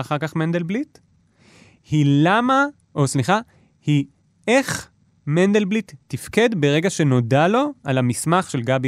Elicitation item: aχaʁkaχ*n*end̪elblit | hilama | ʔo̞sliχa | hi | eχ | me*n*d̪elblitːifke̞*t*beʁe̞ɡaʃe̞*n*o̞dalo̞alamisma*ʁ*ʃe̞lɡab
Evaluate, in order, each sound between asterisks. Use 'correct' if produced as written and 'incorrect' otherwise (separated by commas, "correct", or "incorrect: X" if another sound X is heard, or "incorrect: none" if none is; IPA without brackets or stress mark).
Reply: incorrect: m, correct, incorrect: d, correct, incorrect: χ